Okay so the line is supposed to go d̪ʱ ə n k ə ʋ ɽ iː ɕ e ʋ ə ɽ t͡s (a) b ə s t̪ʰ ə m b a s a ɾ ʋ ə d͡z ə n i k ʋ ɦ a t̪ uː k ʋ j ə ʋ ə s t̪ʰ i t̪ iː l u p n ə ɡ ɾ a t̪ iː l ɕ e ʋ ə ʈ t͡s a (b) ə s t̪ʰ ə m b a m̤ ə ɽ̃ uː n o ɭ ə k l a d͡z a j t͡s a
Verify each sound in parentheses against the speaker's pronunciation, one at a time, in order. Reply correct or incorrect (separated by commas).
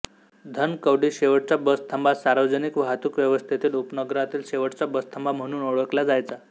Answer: correct, correct